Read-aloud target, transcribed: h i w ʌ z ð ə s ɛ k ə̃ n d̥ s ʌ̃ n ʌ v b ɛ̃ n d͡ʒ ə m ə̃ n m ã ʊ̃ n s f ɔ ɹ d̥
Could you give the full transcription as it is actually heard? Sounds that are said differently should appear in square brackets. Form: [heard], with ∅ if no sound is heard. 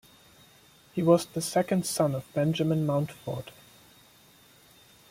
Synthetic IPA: h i w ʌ z ð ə s ɛ k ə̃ n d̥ s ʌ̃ n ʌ v b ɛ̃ n d͡ʒ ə m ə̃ n m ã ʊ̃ n [t] f ɔ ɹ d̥